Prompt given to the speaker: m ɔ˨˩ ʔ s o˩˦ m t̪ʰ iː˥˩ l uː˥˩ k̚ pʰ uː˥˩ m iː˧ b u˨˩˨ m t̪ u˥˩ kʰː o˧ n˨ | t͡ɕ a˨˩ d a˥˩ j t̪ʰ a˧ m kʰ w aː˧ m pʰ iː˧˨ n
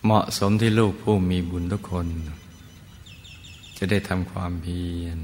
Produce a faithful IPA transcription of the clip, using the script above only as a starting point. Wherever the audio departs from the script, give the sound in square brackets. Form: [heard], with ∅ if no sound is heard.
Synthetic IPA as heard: m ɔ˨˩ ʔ s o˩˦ m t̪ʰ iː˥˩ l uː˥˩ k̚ pʰ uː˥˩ m iː˧ b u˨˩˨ [n] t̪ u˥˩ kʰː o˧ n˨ | t͡ɕ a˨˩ d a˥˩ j t̪ʰ a˧ m kʰ w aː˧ m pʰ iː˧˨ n